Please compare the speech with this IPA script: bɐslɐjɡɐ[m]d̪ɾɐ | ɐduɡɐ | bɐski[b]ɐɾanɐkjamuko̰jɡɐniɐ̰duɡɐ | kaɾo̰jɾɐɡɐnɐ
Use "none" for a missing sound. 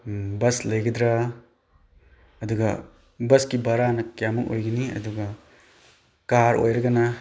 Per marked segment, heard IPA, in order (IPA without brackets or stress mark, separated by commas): none, b